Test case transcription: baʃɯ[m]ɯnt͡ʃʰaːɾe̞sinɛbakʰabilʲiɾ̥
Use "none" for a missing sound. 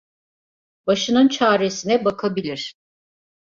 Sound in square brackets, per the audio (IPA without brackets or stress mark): n